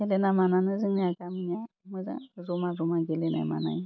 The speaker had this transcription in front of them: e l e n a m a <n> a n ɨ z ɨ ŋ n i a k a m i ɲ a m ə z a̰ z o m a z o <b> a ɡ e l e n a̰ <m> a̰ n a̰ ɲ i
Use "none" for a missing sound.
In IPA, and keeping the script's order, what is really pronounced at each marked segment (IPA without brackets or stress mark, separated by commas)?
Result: n, m, m